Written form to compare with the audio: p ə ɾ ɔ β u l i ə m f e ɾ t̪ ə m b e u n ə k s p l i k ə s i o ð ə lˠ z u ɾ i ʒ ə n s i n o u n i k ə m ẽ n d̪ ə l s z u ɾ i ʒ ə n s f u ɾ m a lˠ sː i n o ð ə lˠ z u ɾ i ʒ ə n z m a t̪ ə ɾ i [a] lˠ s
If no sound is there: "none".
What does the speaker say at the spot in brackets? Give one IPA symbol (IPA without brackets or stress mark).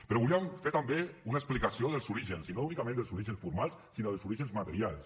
a